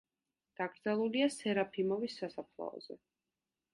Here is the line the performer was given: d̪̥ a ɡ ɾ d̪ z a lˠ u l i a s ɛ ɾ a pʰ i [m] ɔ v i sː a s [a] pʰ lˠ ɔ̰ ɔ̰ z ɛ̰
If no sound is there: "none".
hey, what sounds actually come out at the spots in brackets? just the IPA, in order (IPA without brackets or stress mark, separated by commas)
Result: m, a